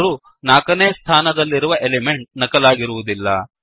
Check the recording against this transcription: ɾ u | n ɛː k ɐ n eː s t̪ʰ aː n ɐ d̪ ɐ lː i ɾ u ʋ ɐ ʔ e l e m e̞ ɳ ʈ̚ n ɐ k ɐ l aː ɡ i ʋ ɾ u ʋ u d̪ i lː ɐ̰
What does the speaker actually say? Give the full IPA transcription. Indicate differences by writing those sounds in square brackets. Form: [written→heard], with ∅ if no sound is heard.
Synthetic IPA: ɾ u | n [ɛː→aː] k ɐ n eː s t̪ʰ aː n ɐ d̪ ɐ lː i ɾ u ʋ ɐ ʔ e l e m e̞ ɳ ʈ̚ n ɐ k ɐ l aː ɡ i [ʋ→∅] ɾ u ʋ u d̪ i lː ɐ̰

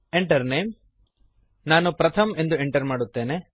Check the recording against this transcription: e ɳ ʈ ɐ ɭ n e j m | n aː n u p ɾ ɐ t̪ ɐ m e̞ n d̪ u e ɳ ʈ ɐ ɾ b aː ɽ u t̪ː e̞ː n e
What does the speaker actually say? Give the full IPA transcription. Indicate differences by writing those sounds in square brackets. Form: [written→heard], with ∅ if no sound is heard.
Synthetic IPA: e ɳ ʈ ɐ [ɭ→ɾ] n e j m | n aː n u p ɾ ɐ [t̪→t̪ʰ] ɐ m e̞ n d̪ u e ɳ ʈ ɐ ɾ [b→m] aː ɽ u t̪ː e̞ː n e

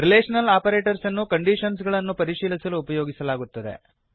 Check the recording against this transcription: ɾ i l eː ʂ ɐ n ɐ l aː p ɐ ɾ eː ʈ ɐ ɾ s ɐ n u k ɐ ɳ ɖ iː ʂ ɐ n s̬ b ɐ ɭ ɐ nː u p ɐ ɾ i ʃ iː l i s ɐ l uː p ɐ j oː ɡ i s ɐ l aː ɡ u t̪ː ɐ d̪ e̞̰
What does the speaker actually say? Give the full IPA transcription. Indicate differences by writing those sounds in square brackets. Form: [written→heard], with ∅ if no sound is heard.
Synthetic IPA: ɾ i l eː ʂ ɐ n ɐ l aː p ɐ ɾ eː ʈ ɐ ɾ s ɐ [n→nː] u k ɐ ɳ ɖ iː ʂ ɐ n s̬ [b→ɡ] ɐ ɭ ɐ nː u p ɐ ɾ i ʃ iː l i s ɐ l uː p ɐ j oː ɡ i s ɐ l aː ɡ u t̪ː ɐ d̪ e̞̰

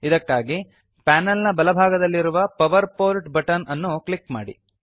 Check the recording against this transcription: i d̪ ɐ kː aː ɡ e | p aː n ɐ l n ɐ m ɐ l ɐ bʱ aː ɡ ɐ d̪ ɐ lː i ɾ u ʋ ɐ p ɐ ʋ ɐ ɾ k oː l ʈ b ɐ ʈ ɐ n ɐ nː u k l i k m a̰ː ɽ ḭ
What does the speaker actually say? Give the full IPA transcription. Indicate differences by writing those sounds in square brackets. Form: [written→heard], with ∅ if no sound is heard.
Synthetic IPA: i d̪ ɐ kː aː ɡ [e→i] | p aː n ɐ l n ɐ [m→b] ɐ l ɐ bʱ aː ɡ ɐ d̪ ɐ lː i ɾ u ʋ ɐ p ɐ ʋ ɐ ɾ [k→p] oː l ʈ b ɐ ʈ ɐ n ɐ nː u k l i k m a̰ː ɽ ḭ

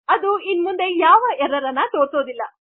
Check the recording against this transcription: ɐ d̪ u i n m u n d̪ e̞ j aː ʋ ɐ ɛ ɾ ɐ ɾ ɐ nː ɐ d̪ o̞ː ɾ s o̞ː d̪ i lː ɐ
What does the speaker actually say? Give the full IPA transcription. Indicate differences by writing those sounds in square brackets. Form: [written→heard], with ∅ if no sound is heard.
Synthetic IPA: ɐ d̪ u i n m u n d̪ e̞ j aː ʋ ɐ ɛ ɾ ɐ ɾ ɐ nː ɐ [d̪→t̪] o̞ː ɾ s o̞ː d̪ i lː ɐ

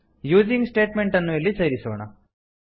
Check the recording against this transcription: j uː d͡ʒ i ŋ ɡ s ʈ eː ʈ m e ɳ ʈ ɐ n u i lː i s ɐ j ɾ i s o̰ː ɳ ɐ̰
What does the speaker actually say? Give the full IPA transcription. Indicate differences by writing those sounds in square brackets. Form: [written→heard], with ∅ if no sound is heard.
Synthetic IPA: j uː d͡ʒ i ŋ ɡ s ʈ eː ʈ m e ɳ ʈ ɐ [n→nː] u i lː i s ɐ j ɾ i s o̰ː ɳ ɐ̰

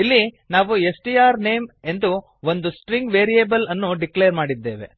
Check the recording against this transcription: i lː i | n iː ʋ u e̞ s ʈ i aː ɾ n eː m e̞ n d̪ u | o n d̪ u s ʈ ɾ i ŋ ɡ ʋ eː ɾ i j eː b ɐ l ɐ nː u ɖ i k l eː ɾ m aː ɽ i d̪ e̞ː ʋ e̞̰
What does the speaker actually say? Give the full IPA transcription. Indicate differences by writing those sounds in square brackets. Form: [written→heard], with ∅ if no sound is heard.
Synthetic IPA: i lː i | n [iː→aː] ʋ u e̞ s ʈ i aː ɾ n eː m e̞ n d̪ u | o n d̪ u s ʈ ɾ i ŋ ɡ ʋ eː ɾ i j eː b ɐ l ɐ nː u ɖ i k l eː ɾ m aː ɽ i [d̪→d̪ː] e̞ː ʋ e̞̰

